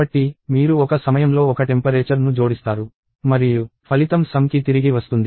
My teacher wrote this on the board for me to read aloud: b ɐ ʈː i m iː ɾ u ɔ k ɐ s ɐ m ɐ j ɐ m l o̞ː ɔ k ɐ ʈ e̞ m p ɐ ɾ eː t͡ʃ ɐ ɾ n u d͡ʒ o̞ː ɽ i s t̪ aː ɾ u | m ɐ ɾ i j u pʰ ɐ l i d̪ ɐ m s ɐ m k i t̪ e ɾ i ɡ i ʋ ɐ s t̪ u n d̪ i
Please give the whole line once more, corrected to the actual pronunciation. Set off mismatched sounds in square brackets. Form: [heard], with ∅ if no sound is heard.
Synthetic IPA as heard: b ɐ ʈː i m iː ɾ u ɔ k ɐ s ɐ m ɐ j ɐ m l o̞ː ɔ k ɐ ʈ e̞ m p ɐ ɾ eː t͡ʃ ɐ ɾ n u d͡ʒ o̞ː ɽ i s t̪ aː ɾ u | m ɐ ɾ i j u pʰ ɐ l i [t̪] ɐ m s ɐ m k i t̪ [i] ɾ i ɡ i ʋ ɐ s t̪ u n d̪ i